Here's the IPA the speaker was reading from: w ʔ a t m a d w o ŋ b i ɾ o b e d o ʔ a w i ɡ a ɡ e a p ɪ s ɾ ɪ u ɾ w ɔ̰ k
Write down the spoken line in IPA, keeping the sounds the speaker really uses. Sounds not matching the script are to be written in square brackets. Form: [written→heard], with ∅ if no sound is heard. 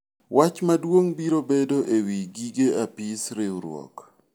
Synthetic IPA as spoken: w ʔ a [t→t͡ʃ] m a d w o ŋ b i ɾ o b e d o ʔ [a→e] w i ɡ [a→i] ɡ e a p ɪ s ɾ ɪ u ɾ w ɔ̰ k